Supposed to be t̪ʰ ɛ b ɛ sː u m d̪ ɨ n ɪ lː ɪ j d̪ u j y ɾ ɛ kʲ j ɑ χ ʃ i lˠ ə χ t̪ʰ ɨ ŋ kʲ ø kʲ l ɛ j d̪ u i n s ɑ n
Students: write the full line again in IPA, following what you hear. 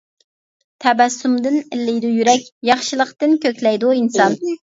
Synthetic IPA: t̪ʰ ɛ b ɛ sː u m d̪ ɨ n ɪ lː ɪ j d̪ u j y ɾ ɛ kʲ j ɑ χ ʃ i lˠ ə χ t̪ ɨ n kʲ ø kʲ l ɛ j d̪ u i n s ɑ n